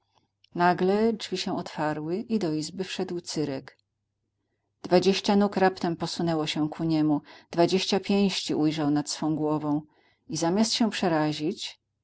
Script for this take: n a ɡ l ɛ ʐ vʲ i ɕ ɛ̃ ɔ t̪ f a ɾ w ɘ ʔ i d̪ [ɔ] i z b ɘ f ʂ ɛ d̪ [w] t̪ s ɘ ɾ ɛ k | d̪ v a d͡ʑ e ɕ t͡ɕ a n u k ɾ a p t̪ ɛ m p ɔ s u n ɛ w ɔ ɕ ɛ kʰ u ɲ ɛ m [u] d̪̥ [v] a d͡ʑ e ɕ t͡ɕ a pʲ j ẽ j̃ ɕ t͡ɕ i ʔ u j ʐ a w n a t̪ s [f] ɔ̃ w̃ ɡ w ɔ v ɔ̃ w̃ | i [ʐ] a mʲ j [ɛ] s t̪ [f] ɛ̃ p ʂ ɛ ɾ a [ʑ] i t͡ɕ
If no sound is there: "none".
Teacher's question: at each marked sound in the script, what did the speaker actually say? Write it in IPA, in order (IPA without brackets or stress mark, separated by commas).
ɔ, w, u, v, f, z, a, ɕ, ʑ